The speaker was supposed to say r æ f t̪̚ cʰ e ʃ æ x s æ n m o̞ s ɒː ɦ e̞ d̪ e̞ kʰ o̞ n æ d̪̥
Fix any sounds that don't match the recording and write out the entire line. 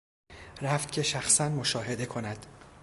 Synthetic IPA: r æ f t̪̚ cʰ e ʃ æ x s æ n m o̞ ʃ ɒː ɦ e̞ d̪ e̞ kʰ o̞ n æ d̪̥

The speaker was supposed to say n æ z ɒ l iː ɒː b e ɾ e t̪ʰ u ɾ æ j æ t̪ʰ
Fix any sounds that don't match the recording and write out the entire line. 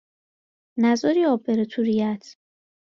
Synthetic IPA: n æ z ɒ ɾ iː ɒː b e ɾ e t̪ʰ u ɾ i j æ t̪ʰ

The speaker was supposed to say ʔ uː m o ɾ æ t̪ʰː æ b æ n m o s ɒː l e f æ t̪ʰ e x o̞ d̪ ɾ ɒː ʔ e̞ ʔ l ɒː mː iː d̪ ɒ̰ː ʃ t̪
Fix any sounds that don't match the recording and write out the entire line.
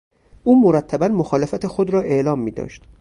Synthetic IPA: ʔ uː m o ɾ æ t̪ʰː æ b æ n m o x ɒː l e f æ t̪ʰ e x o̞ d̪ ɾ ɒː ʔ e̞ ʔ l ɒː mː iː d̪ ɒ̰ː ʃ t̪

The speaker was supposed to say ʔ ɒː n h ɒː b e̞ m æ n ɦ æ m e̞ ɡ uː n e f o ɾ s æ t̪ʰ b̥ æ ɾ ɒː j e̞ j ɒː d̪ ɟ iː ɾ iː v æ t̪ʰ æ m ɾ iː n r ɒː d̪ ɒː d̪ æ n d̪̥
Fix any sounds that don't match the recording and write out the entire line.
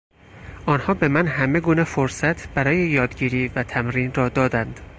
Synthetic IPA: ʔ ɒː n h ɒː b e̞ m æ n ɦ æ m e̞ ɡ uː n e f o ɾ s æ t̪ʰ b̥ æ ɾ ɒː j e̞ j ɒː d̪ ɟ iː ɾ iː v æ t̪ʰ æ m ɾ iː n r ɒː d̪ ɒː d̪ æ n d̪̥

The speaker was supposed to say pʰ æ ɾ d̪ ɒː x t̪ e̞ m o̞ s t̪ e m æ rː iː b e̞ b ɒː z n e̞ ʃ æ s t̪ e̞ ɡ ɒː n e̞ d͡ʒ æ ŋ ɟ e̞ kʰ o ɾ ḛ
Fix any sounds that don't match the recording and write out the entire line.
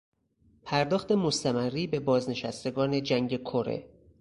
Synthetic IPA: pʰ æ ɾ d̪ ɒː x t̪ e̞ m o̞ s t̪ æ m æ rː iː b e̞ b ɒː z n e̞ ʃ æ s t̪ e̞ ɡ ɒː n e̞ d͡ʒ æ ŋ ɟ e̞ kʰ o ɾ ḛ

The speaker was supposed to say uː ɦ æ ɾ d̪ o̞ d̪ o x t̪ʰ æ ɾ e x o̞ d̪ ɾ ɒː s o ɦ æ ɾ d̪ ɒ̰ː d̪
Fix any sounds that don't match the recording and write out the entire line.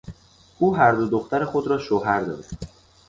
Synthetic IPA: uː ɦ æ ɾ d̪ o̞ d̪ o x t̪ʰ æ ɾ e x o̞ d̪ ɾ ɒː ʃ o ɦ æ ɾ d̪ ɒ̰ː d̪

